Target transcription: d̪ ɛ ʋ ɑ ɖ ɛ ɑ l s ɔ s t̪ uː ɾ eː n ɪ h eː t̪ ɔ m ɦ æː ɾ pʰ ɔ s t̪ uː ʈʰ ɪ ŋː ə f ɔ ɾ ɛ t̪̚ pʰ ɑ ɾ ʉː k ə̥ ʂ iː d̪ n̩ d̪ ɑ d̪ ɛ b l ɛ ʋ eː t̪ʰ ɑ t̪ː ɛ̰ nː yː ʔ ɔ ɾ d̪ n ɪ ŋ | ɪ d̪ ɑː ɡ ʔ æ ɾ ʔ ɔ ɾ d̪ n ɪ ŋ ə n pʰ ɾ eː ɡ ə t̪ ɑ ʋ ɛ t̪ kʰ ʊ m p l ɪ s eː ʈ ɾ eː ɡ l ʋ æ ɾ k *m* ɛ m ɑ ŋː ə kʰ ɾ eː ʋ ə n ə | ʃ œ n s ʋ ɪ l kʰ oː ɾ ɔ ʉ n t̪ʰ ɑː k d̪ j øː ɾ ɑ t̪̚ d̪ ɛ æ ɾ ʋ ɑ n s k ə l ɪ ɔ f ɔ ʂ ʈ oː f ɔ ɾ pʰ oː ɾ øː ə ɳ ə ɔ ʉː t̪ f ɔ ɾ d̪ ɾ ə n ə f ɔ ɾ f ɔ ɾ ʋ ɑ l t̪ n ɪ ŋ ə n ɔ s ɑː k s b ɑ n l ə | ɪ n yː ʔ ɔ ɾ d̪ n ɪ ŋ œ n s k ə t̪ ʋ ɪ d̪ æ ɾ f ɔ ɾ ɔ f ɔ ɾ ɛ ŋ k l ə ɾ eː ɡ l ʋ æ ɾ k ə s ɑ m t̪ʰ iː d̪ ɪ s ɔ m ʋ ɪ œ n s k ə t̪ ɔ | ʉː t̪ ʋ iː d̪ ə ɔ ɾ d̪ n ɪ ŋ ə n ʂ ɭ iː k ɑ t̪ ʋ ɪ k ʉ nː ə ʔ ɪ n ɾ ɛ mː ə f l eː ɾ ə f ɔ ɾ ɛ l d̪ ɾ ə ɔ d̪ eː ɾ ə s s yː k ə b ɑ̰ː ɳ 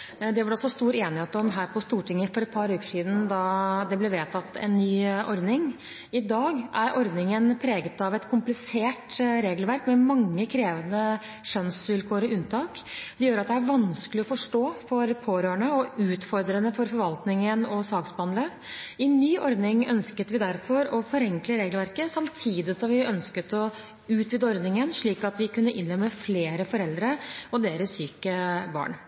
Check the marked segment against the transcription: correct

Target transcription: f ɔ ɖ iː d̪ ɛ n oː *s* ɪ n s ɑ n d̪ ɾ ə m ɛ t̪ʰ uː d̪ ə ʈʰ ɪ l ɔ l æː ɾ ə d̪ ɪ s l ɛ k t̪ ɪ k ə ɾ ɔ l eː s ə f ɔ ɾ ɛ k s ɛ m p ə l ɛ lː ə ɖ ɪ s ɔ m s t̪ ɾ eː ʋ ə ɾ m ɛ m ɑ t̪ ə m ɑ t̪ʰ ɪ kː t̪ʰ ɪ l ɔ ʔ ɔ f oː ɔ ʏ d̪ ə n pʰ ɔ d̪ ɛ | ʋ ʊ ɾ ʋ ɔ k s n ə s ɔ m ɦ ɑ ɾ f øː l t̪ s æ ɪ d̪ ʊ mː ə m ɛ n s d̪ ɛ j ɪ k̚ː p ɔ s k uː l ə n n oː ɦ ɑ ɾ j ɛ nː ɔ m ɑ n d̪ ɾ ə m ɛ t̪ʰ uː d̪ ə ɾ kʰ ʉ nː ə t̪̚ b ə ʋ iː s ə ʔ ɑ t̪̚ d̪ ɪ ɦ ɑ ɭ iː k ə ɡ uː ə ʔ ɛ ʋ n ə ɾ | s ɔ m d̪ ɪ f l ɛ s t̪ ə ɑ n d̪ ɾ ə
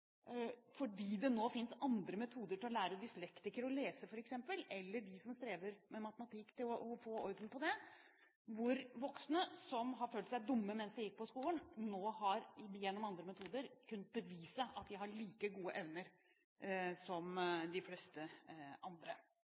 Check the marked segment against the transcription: incorrect: f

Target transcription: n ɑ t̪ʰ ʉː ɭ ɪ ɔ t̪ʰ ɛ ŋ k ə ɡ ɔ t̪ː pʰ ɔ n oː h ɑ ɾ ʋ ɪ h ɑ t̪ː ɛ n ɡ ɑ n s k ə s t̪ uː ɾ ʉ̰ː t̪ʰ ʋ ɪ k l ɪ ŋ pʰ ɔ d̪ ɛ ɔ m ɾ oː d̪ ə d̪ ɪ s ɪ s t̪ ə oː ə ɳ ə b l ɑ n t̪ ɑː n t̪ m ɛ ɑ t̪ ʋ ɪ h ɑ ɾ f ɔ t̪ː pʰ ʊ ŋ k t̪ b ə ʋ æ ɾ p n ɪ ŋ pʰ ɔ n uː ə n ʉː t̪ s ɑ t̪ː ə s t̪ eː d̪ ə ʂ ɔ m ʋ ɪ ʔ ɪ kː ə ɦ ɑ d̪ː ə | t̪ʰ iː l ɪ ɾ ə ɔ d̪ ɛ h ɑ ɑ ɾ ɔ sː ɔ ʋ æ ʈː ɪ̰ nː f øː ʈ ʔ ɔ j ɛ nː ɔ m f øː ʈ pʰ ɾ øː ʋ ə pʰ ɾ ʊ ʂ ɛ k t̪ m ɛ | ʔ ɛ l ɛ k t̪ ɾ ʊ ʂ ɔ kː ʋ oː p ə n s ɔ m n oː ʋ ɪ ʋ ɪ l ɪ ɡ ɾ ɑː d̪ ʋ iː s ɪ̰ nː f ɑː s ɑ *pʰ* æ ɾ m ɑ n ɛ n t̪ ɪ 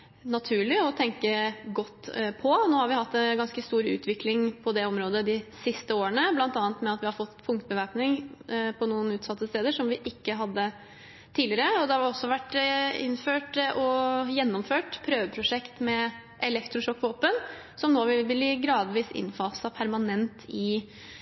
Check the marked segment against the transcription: correct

